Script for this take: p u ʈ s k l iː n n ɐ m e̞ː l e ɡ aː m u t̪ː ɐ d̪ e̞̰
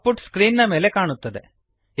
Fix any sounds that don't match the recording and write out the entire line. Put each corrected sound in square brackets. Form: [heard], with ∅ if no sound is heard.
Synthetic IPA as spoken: p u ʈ s k [ɾ] iː n n ɐ m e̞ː l e [k] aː [ɳ] u t̪ː ɐ d̪ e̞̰